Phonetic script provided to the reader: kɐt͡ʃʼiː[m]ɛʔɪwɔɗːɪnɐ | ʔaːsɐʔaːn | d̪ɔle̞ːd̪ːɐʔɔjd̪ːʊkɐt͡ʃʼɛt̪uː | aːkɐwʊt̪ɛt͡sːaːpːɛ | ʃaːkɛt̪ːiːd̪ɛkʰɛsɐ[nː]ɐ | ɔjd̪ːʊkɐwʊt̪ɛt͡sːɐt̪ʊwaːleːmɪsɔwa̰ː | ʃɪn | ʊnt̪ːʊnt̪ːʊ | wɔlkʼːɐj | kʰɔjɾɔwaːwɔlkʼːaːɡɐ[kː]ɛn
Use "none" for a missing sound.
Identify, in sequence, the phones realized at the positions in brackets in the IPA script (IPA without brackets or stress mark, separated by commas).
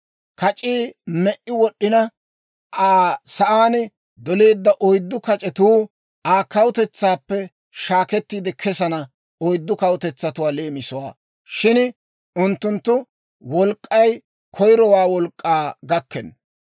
m, n, kː